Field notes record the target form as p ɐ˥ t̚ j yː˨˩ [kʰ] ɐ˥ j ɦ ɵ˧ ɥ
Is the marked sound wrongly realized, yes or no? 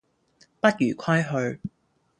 no